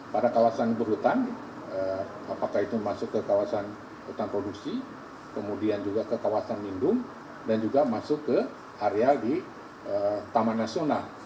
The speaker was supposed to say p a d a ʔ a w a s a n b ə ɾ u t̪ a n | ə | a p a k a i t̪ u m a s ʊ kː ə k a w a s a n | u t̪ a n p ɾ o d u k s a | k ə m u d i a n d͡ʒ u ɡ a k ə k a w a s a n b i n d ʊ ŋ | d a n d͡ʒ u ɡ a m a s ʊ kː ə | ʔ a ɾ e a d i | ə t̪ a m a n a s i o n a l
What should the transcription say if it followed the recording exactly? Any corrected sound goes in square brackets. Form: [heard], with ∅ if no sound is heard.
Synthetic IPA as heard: p a d a [k] a w a s a n b ə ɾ u t̪ a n | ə | a p a k a i t̪ u m a s ʊ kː ə k a w a s a n | u t̪ a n p ɾ o d u k s [i] | k ə m u d i a n d͡ʒ u ɡ a k ə k a w a s a n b i n d ʊ ŋ | d a n d͡ʒ u ɡ a m a s ʊ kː ə | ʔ a ɾ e a d i | ə t̪ a m a n a s i o n a l